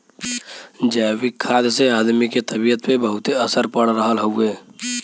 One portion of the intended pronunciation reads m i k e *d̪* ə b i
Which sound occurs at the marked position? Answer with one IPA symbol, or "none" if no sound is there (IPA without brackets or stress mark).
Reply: t̪